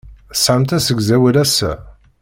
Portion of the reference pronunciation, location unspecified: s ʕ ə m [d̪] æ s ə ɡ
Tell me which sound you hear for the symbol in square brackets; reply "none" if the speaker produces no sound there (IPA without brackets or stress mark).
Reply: t̪